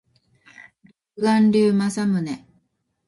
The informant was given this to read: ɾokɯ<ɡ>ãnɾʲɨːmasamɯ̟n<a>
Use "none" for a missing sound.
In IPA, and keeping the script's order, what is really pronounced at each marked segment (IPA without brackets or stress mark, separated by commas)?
ɡ, e